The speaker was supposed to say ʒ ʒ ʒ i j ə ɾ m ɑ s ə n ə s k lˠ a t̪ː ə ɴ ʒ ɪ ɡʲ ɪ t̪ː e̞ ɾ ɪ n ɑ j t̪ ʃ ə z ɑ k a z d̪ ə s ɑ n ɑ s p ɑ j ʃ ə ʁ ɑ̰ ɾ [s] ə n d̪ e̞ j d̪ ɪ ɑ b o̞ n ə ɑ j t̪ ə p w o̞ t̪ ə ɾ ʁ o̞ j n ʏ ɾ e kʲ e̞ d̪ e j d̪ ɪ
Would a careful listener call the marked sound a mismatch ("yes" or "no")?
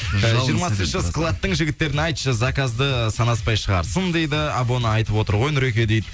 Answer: no